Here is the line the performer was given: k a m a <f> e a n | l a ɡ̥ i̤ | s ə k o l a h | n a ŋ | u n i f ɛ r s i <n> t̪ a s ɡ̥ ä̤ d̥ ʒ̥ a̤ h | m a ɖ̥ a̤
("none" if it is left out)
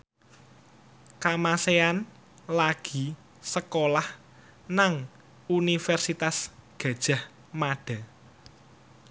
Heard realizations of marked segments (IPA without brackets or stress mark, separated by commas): s, none